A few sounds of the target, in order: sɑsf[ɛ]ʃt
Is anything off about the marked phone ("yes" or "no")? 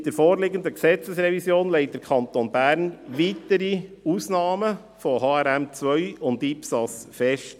no